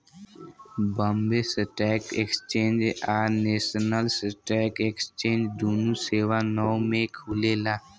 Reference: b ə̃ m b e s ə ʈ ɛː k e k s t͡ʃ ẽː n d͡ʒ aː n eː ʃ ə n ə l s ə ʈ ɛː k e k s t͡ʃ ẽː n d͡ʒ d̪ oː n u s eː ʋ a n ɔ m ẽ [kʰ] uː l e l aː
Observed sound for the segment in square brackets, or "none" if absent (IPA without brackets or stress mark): kʰ